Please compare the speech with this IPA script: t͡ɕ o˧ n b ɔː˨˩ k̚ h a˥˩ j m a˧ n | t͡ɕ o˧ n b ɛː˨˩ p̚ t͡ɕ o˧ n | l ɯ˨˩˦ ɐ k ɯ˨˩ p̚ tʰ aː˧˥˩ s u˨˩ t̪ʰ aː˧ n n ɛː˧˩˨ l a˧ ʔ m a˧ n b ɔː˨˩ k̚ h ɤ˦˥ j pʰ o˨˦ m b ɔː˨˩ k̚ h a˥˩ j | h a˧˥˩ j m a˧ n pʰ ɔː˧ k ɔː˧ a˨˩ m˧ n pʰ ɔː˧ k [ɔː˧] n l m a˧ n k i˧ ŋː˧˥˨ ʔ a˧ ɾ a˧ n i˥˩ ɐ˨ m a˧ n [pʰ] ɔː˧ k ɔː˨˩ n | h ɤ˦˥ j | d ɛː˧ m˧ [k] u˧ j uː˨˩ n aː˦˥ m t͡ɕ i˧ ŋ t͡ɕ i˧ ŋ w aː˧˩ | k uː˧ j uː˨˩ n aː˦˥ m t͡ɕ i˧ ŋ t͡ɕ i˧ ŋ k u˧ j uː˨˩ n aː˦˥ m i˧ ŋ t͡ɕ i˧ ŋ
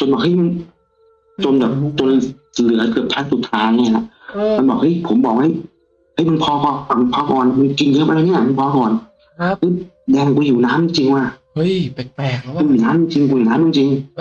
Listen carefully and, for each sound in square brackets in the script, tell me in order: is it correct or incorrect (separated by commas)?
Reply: incorrect, correct, correct